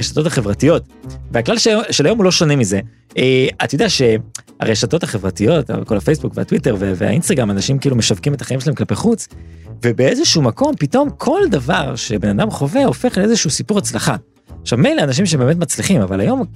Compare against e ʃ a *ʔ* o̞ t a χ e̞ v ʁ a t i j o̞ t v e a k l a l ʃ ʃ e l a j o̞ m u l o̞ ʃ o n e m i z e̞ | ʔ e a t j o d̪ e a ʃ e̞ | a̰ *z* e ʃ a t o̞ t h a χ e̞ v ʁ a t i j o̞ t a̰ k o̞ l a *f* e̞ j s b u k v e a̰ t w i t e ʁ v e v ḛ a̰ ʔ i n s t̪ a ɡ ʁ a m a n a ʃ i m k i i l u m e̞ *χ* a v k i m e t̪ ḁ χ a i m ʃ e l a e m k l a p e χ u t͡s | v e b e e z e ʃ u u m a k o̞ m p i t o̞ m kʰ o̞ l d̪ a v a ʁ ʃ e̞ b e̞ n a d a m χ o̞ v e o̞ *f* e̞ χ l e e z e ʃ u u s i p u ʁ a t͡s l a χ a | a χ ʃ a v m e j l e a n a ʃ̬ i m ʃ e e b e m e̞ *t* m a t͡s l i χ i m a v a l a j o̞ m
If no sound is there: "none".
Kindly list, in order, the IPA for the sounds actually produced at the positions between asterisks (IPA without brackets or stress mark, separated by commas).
t, ʁ, f, ʃ, f, t